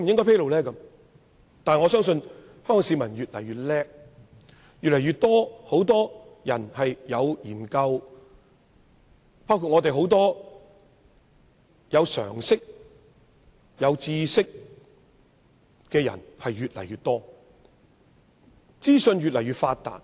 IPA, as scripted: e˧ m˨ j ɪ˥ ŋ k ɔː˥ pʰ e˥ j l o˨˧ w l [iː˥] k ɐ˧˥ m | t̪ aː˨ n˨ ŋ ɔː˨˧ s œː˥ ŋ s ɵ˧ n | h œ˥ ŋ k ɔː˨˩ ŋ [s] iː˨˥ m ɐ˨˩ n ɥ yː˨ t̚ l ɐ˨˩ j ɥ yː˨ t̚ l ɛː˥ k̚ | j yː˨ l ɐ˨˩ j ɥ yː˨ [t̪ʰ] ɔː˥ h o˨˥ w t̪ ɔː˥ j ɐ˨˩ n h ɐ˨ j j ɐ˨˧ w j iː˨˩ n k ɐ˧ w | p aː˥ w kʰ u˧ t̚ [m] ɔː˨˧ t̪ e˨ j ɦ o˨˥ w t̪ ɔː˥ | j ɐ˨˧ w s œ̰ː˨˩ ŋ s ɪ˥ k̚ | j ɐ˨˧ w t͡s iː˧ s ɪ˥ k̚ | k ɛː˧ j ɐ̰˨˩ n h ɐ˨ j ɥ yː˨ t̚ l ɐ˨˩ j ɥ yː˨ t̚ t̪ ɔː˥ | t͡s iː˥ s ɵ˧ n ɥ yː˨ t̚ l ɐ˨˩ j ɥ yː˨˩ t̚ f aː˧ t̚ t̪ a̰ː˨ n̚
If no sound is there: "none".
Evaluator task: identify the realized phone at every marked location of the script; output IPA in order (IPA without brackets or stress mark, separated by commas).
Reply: ɛː˥, s, t̪, ŋ